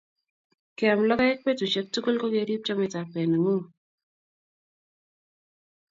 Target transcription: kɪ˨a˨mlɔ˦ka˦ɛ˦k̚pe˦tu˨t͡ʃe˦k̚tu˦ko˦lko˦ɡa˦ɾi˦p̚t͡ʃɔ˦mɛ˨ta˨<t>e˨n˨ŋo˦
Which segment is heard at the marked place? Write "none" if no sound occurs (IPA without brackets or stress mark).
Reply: p